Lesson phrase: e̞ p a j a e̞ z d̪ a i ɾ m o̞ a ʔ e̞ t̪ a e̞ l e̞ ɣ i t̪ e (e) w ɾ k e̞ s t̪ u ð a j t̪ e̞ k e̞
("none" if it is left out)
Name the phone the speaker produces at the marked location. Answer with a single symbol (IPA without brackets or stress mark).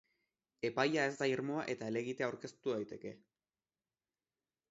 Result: a